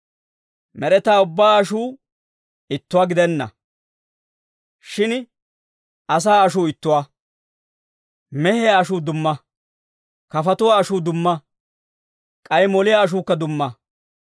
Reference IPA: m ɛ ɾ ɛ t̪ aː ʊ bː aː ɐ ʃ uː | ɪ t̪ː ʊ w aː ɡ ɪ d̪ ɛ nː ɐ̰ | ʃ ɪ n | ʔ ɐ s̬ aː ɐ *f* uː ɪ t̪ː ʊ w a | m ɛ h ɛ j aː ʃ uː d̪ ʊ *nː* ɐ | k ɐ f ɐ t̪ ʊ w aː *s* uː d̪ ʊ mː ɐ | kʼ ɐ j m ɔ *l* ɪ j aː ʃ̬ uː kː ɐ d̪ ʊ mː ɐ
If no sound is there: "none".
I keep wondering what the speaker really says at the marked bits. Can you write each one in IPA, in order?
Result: ʃ, mː, ʃ, l

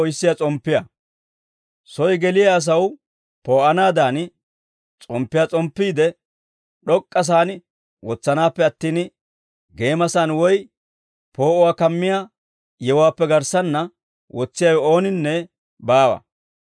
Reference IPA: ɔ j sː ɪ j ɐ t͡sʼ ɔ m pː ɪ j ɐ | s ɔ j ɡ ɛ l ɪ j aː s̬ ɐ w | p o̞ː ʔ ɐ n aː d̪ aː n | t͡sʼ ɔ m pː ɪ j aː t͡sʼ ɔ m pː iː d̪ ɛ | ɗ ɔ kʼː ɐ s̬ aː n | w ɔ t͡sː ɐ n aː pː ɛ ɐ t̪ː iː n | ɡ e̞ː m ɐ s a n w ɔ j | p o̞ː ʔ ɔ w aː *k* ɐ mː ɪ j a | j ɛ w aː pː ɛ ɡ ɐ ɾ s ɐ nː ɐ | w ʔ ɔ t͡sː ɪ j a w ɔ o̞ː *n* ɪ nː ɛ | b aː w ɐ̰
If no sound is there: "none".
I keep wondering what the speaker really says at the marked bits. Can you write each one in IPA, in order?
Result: k, n

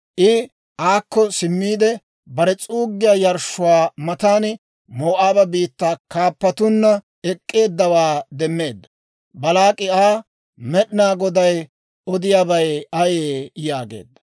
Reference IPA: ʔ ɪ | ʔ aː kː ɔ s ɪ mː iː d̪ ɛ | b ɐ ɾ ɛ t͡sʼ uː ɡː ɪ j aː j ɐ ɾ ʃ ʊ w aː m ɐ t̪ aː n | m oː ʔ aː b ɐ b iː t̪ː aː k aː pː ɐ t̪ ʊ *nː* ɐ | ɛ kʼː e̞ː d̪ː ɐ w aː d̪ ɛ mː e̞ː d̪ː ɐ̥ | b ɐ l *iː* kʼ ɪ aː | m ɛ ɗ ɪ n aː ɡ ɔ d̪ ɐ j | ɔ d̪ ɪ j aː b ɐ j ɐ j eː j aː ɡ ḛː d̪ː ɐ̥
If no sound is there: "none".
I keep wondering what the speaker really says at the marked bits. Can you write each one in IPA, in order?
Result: nː, aː

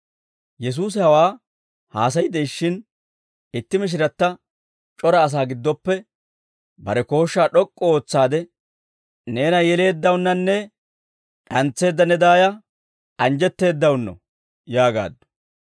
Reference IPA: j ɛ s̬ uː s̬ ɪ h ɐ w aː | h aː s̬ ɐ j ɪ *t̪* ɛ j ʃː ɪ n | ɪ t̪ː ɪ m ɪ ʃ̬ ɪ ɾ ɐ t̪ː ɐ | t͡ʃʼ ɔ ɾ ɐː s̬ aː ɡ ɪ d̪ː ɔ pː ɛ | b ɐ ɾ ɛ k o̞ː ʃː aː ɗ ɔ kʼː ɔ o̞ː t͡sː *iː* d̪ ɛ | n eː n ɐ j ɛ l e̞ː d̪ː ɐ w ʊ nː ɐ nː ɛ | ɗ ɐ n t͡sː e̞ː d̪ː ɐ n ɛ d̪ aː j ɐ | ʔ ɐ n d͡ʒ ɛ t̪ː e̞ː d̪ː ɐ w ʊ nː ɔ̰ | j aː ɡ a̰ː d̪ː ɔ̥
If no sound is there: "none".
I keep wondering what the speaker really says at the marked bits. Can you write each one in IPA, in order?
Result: d̪, aː

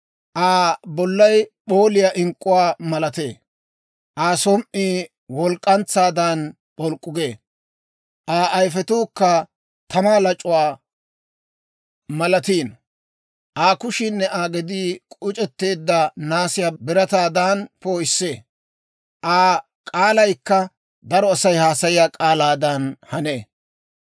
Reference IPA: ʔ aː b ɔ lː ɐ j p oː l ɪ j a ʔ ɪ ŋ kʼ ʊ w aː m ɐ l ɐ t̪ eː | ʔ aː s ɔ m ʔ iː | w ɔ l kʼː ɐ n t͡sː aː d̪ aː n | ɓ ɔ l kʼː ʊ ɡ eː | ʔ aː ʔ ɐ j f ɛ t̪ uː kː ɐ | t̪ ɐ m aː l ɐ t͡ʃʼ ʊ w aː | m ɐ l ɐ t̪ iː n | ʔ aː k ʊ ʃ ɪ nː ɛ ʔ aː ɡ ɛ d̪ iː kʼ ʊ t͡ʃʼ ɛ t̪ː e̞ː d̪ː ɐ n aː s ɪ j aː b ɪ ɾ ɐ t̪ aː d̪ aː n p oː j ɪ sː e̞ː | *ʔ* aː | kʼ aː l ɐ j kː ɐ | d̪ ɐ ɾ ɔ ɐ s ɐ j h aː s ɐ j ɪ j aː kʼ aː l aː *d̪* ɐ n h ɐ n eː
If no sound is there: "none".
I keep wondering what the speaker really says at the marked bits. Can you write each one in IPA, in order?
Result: ʔ, d̪

